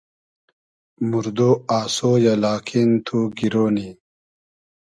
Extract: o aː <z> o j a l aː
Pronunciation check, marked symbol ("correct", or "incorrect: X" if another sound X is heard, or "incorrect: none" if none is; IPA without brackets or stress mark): incorrect: s